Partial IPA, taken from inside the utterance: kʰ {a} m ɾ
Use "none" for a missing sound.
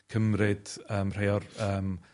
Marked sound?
ə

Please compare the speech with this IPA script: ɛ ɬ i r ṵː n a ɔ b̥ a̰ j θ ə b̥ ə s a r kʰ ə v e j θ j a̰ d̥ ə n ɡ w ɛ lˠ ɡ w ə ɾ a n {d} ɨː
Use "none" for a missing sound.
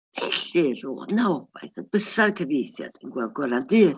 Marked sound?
d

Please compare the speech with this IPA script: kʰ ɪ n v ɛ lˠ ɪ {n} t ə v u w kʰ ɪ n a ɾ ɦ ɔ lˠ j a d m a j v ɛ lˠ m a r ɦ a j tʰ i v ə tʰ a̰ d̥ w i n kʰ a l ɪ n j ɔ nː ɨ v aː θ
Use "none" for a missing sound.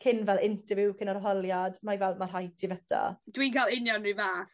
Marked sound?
n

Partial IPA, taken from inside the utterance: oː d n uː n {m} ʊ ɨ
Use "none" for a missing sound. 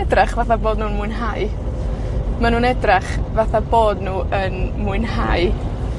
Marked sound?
m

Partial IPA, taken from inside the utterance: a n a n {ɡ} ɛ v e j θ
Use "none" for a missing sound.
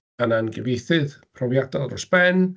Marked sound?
ɡ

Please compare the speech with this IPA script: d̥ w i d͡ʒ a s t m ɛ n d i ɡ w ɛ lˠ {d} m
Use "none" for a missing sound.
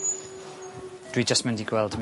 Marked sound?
d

